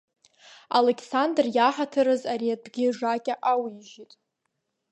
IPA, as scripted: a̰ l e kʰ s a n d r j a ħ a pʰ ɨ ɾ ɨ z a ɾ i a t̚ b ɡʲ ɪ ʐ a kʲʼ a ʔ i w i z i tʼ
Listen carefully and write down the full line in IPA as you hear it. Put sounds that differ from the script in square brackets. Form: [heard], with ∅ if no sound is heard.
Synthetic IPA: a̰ l e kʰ s a n d r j a ħ a [tʰ] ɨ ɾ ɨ z a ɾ i a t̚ b ɡʲ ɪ ʐ a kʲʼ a ʔ [a] w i [ʒ] i tʼ